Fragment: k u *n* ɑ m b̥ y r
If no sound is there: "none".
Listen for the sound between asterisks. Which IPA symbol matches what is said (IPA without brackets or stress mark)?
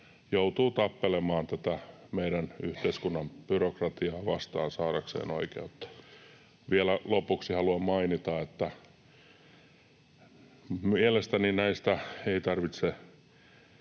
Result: nː